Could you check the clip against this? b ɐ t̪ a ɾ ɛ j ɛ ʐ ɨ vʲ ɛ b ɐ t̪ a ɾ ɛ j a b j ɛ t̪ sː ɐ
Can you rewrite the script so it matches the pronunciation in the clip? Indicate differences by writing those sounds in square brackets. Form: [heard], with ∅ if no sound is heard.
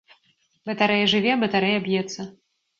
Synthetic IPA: b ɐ t̪ a ɾ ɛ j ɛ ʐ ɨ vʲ ɛ b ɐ t̪ a ɾ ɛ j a b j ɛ t̪ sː ɐ